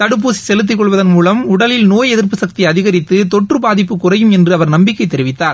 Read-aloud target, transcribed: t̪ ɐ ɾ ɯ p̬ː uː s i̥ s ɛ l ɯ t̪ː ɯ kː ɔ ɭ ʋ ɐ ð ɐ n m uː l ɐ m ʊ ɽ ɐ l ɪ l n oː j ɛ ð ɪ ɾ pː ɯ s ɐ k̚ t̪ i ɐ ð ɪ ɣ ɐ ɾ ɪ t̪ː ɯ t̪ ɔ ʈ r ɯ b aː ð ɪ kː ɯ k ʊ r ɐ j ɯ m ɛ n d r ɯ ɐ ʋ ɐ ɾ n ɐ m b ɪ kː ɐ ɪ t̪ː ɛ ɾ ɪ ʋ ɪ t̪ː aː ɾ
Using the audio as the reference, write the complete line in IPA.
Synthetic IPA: t̪ ɐ ɽ ɯ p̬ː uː s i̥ s ɛ l ɯ t̪ː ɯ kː ɔ ɭ ʋ ɐ ð ɐ n m uː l ɐ m ʊ ɽ ɐ l ɪ l n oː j ɛ ð ɪ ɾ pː ɯ s ɐ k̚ t̪ i ɐ ð ɪ ɣ ɐ ɾ ɪ t̪ː ɯ t̪ ɔ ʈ r ɯ b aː ð ɪ pː ɯ k ʊ r ɐ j ɯ m ɛ n d r ɯ ɐ ʋ ɐ ɾ n ɐ m b ɪ kː ɐ ɪ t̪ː ɛ ɾ ɪ ʋ ɪ t̪ː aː ɾ